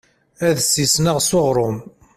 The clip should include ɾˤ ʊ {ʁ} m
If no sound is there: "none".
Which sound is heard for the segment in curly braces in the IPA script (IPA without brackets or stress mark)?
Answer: none